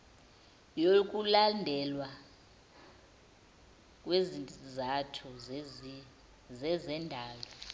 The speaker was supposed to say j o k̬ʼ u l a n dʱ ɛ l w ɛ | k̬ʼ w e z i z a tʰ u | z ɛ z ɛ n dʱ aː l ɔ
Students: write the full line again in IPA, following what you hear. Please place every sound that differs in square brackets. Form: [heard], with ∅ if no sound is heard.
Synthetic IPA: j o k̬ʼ u l a n dʱ ɛ l w [a] | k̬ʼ w e z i z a tʰ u | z ɛ z ɛ n dʱ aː l ɔ